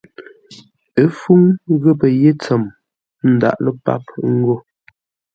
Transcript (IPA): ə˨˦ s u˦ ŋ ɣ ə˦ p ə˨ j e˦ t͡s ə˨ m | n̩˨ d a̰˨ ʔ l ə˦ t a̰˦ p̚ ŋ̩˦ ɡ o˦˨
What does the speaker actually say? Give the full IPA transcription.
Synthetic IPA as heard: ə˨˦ f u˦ ŋ ɣ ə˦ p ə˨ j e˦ t͡s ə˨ m | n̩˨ d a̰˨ ʔ l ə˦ p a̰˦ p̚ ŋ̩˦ ɡ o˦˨